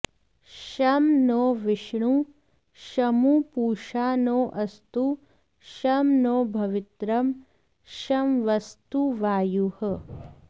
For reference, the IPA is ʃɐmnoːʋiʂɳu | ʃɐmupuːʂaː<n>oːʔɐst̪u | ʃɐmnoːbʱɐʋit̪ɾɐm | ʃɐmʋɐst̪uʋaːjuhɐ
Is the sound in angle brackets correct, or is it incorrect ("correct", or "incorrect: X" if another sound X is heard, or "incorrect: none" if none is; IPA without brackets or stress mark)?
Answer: correct